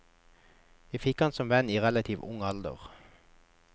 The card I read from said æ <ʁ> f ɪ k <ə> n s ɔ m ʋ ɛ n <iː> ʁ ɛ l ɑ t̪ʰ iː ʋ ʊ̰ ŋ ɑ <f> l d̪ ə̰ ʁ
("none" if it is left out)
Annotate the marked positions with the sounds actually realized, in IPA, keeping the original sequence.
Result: none, ɑ, iː, none

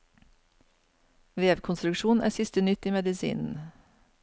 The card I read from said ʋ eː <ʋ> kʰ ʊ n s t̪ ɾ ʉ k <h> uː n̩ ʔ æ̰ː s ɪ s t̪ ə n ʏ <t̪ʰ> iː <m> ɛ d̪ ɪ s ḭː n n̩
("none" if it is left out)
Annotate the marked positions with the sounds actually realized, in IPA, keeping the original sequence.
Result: ʋ, ʃ, t̪, m

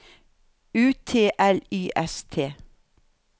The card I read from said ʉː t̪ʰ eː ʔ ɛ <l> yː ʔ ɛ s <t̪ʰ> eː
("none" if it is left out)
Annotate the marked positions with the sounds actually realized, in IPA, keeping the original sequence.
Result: l, t̪ʰ

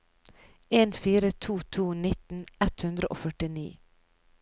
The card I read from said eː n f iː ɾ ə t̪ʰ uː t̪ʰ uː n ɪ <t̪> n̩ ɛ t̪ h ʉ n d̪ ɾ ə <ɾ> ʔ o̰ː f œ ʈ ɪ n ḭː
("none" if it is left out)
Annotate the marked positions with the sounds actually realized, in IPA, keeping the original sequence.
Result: t̪, none

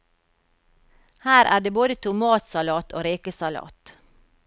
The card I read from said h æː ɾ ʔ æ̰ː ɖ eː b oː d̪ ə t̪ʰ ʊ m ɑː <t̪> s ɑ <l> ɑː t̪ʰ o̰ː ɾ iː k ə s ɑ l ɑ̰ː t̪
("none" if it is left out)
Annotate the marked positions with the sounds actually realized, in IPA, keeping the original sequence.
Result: t̪, l

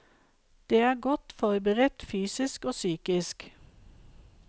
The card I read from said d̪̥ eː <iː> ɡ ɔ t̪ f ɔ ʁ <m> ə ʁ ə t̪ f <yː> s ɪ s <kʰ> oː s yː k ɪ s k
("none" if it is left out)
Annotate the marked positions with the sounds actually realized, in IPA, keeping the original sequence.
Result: æː, b, yː, k

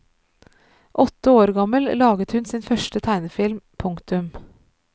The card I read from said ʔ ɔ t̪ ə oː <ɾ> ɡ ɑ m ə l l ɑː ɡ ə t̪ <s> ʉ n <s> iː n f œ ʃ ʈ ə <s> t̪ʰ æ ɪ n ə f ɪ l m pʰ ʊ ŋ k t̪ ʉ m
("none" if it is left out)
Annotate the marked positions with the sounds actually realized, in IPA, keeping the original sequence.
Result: ɾ, h, s, none

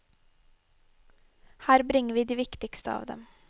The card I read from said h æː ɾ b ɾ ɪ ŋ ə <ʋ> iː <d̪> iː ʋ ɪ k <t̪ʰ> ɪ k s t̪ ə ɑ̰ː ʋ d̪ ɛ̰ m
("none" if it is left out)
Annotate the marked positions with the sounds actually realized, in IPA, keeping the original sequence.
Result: ʋ, d̪, t̪

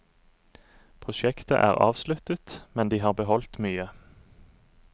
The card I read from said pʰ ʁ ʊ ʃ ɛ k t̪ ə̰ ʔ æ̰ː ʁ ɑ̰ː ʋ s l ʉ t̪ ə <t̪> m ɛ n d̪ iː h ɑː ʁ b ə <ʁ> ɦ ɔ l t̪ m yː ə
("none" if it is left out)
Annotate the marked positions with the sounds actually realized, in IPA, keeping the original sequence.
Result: t̪, none

